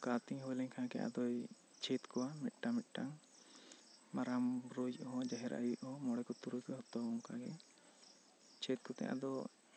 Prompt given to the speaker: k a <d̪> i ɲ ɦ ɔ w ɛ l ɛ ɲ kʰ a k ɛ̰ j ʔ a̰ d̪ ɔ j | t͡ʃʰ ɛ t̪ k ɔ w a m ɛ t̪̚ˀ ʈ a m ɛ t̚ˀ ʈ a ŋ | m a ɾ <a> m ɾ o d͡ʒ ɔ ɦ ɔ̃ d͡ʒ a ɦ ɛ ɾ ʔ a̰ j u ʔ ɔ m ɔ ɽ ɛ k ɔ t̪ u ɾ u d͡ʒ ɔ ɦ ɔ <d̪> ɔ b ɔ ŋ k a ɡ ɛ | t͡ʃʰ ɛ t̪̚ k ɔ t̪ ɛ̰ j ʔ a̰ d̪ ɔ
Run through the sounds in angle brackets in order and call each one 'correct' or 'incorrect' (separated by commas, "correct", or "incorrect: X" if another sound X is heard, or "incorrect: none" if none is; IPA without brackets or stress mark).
incorrect: t̪, correct, incorrect: t̪